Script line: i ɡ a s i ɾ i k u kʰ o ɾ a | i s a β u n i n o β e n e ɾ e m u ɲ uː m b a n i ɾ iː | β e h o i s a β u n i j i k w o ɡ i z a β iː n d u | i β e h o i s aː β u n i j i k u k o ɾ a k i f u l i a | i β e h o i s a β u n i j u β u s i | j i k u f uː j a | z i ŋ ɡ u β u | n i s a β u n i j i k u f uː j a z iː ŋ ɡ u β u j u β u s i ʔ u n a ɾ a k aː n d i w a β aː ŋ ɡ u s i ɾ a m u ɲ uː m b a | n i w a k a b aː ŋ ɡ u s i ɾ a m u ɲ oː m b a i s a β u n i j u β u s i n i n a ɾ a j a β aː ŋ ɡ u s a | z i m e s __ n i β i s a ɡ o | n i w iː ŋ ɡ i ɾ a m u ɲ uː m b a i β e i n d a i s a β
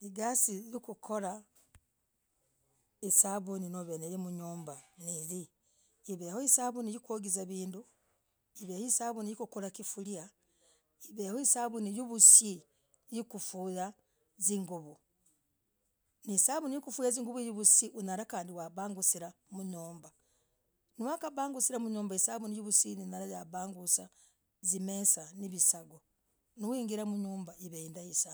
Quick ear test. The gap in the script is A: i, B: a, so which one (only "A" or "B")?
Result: B